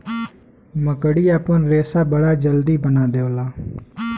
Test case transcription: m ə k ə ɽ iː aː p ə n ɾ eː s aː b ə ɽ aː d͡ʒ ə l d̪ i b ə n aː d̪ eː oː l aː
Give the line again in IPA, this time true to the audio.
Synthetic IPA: m ə k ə ɽ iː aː p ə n ɾ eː s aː b ə ɽ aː d͡ʒ ə l d̪ iː b ə n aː d̪ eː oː l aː